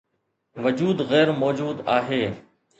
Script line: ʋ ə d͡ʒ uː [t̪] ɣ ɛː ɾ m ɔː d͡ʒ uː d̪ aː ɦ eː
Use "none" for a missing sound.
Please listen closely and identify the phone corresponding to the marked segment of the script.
d̪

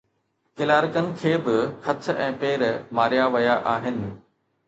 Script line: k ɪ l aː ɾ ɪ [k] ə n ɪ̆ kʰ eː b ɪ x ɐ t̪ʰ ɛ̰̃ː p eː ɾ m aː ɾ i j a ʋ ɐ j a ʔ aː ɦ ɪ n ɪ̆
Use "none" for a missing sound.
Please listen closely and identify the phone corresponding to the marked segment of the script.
k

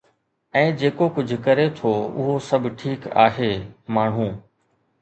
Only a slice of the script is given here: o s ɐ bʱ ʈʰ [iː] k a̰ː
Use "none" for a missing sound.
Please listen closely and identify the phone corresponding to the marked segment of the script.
iː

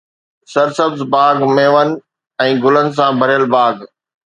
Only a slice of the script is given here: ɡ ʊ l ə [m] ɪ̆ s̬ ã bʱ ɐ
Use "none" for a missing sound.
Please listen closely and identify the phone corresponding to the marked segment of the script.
n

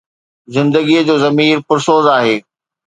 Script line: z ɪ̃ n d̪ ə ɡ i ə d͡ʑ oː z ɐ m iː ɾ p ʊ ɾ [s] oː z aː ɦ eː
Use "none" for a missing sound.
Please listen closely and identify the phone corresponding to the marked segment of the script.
s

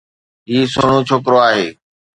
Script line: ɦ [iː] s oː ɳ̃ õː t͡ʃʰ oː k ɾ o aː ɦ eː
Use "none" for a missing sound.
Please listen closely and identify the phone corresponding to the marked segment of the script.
iː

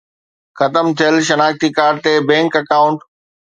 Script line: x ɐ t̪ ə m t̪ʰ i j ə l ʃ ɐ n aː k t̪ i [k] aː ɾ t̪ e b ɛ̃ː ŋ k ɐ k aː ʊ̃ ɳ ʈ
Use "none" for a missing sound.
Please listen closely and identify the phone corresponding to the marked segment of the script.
k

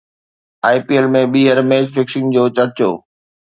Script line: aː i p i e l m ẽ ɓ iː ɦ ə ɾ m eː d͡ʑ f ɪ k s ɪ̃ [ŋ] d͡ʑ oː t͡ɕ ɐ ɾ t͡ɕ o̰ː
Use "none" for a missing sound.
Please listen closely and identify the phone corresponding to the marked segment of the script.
ŋ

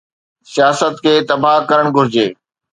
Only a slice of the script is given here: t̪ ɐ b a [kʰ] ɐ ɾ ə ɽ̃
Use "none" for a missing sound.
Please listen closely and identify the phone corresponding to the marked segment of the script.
k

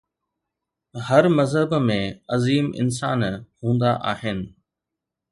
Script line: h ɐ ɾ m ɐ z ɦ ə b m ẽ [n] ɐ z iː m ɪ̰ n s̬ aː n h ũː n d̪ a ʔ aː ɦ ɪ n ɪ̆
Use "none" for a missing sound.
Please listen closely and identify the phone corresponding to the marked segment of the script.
none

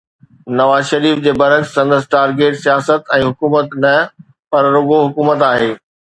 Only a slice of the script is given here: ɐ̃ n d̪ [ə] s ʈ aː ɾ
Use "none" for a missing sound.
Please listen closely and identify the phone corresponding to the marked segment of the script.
ə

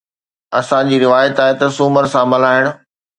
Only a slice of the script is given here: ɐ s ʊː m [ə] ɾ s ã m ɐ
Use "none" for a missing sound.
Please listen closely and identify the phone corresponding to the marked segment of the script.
ə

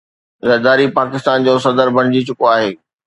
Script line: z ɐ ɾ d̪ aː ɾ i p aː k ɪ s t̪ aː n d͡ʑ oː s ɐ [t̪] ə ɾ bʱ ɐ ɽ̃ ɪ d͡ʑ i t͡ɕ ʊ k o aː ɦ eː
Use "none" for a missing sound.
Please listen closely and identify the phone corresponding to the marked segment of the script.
d̪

